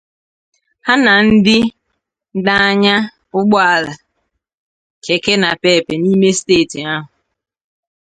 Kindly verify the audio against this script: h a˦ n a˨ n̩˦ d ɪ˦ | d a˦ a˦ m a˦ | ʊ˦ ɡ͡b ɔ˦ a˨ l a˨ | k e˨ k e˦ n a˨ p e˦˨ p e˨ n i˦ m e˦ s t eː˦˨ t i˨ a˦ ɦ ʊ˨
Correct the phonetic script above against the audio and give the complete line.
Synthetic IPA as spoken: h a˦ n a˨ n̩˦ d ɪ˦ | d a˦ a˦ ɲ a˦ | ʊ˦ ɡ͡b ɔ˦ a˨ l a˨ | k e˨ k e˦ n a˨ p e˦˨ p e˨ n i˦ m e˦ s t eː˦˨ t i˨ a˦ ɦ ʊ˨